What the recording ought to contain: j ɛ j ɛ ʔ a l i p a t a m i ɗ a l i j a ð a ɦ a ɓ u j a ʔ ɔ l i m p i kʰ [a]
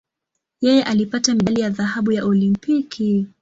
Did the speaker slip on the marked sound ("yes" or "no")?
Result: yes